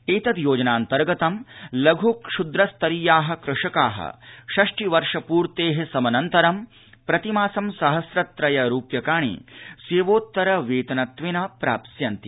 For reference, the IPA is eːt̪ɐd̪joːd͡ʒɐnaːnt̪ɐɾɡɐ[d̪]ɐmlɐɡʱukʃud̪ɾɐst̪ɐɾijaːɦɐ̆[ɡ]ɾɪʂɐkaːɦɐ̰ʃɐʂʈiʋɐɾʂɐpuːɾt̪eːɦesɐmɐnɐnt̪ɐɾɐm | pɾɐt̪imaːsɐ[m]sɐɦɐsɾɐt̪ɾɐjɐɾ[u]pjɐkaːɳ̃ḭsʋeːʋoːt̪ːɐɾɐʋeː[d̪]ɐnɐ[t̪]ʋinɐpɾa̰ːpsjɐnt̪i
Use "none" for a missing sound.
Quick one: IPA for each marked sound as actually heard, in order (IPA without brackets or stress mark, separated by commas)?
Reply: t̪, k, m, uː, t̪, t̪